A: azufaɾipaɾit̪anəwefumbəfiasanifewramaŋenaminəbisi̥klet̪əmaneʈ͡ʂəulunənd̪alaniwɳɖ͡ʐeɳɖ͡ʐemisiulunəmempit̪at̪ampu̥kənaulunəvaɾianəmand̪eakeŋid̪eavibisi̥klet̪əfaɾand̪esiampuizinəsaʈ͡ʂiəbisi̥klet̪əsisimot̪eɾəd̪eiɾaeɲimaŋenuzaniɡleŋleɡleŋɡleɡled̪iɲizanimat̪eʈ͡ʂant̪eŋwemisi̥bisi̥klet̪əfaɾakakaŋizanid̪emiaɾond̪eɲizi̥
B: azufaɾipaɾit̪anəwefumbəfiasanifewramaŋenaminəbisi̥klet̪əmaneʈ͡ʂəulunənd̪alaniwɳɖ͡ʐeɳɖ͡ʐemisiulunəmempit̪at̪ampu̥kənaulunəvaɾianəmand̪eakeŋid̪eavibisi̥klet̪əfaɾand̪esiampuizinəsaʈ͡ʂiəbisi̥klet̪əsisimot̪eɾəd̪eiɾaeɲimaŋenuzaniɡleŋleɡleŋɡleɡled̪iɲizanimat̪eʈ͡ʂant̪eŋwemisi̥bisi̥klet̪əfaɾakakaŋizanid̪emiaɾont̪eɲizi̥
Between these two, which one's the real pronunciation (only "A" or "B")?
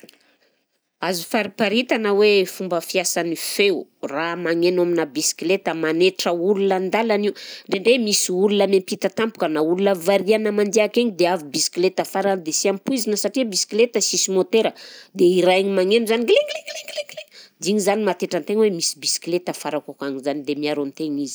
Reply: B